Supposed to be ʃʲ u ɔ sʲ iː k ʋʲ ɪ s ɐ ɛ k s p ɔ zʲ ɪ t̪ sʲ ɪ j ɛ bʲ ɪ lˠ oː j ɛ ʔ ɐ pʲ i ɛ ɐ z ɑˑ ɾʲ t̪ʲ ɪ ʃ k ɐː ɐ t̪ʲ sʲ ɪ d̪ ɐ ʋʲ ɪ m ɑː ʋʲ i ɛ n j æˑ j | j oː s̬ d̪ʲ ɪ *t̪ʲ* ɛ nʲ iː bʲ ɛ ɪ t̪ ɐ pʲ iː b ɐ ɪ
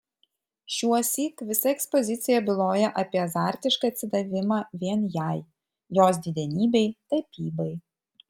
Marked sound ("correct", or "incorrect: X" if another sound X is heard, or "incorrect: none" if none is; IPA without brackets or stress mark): incorrect: d̪ʲ